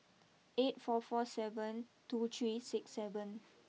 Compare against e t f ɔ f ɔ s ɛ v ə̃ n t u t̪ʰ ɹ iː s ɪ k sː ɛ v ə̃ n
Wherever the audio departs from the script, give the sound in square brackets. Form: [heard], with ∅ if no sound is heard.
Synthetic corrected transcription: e t f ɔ f ɔ s ɛ v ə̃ n t u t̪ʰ ɹ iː s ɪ k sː ɛ v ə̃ n